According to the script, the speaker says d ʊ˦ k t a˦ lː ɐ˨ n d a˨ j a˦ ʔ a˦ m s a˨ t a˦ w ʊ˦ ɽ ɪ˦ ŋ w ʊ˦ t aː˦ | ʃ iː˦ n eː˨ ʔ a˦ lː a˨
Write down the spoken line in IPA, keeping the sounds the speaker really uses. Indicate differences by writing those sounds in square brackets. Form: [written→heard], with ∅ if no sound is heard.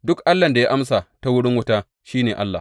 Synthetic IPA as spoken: d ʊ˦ k [t→ʔ] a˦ lː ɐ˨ n d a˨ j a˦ ʔ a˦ m s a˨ t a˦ w ʊ˦ ɽ ɪ˦ ŋ w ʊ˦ t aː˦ | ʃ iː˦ n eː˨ ʔ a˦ lː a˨